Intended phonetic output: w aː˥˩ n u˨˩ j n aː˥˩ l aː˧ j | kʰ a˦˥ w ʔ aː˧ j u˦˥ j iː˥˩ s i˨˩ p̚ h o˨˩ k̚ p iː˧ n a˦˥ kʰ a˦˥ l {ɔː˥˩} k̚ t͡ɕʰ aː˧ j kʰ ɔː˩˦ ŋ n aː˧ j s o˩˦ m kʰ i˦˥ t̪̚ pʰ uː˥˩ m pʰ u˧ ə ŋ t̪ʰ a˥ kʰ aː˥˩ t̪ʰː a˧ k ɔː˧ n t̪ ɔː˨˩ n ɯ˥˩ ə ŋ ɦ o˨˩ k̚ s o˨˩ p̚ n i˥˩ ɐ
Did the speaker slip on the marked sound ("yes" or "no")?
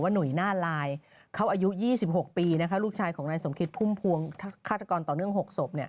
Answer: yes